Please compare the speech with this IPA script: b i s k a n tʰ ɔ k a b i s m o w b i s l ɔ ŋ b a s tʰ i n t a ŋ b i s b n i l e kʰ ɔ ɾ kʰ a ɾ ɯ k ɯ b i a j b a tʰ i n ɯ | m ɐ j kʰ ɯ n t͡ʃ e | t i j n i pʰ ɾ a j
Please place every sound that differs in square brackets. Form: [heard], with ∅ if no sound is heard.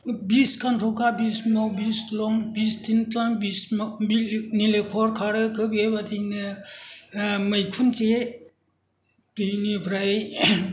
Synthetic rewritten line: b i s k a n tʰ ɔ k a b i s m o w b i s l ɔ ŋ b [i] s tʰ i n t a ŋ b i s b n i l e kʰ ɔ ɾ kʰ a ɾ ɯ k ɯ b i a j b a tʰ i n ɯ | m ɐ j kʰ [u] n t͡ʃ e | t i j n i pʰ ɾ a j